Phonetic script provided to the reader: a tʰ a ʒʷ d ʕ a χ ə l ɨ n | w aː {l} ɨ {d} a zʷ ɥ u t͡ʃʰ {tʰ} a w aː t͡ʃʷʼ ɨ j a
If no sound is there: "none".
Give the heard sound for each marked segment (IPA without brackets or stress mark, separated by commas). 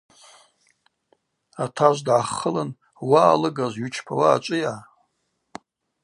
l, ɡ, pʰ